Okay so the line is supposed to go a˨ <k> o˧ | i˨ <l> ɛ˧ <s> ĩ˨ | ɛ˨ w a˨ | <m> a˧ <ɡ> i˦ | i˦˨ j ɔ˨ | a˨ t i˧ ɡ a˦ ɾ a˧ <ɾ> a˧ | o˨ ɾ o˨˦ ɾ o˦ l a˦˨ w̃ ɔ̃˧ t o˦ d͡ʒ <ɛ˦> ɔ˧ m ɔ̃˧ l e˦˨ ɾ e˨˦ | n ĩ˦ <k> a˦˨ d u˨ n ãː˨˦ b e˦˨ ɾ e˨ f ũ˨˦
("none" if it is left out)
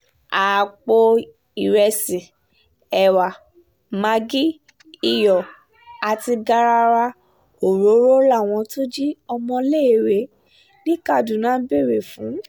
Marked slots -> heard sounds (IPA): k͡p, ɾ, s, m, ɡ, ɾ, i˦, k

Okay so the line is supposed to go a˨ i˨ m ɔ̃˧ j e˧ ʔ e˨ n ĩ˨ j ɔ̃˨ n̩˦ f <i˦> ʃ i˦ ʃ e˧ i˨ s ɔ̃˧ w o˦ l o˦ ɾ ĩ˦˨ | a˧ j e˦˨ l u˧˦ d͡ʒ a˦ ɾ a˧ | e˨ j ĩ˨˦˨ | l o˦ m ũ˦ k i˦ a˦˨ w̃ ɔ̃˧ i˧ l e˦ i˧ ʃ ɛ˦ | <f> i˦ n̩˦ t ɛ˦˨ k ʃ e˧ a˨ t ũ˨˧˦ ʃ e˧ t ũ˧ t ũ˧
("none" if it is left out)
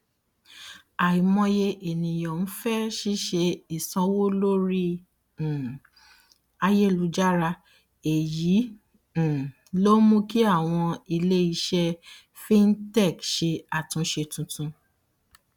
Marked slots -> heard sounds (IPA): ɛ˦, f

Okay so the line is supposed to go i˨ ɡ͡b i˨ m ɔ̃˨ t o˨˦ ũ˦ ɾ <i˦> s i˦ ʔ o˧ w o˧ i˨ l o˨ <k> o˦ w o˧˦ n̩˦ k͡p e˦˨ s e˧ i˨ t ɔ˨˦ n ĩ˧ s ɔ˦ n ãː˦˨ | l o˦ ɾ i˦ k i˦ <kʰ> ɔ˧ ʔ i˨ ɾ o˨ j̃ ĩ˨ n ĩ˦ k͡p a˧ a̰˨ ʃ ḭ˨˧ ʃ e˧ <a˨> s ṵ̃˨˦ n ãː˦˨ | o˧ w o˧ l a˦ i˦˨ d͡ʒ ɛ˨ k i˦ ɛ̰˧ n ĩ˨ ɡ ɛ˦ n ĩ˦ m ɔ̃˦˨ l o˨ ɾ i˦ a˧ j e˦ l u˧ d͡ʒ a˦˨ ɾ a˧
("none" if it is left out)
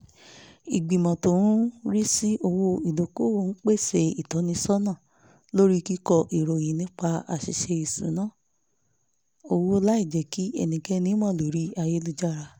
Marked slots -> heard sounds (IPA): i˦, k, k, i˨

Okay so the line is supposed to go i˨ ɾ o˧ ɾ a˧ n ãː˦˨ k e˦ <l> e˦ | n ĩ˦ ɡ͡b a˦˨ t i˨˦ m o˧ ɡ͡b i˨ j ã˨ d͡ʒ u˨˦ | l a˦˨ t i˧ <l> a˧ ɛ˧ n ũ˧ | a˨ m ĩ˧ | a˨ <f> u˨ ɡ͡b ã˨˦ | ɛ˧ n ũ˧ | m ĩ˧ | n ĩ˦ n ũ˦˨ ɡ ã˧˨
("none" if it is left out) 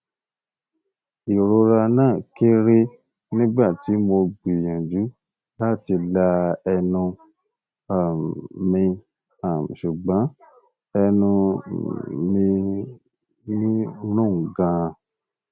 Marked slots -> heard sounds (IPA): ɾ, l, ʃ

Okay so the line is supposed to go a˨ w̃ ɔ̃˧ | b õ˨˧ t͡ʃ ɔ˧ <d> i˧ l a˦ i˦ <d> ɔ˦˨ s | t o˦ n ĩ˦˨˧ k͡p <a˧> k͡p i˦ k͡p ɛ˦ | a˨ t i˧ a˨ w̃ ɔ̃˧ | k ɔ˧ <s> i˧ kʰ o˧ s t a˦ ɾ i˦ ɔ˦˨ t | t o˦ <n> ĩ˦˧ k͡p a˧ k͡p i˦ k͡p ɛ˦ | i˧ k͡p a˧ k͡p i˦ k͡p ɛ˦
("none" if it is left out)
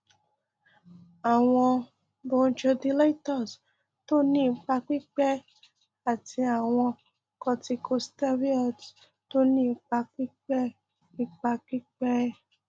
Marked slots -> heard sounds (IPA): d, t, a˧, t, n

